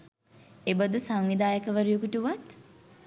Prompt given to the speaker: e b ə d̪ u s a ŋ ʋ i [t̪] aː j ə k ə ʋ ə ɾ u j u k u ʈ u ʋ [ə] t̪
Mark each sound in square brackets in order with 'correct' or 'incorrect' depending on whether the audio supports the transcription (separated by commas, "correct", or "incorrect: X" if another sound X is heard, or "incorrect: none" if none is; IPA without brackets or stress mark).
incorrect: d̪, incorrect: a